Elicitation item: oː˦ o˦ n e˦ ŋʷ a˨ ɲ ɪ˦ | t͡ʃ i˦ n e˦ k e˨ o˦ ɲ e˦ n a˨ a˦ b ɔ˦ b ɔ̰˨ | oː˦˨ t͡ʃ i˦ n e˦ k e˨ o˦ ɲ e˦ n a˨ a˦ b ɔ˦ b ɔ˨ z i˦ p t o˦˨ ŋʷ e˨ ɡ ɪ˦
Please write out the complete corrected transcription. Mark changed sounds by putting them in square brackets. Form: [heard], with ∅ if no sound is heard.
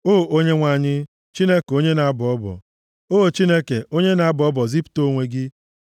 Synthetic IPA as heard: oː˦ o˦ [ɲ] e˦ ŋʷ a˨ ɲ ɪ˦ | t͡ʃ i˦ n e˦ k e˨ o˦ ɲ e˦ n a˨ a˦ b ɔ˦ b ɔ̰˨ | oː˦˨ t͡ʃ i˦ n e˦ k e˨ o˦ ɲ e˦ n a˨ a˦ b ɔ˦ b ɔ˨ z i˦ p t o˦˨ ŋʷ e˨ ɡ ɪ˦

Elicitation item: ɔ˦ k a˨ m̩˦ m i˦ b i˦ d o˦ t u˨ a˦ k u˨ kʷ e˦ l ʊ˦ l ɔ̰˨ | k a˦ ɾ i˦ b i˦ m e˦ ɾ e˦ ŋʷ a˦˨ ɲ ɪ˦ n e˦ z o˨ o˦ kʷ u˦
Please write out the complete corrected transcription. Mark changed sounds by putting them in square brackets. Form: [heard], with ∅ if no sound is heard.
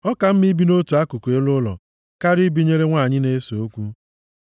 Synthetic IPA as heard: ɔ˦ k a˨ m̩˦ m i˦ b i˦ [n] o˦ t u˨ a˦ k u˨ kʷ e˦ l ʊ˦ l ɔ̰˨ | k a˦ ɾ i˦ b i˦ [ɲ] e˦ ɾ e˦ ŋʷ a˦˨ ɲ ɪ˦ n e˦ [s] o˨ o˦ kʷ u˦

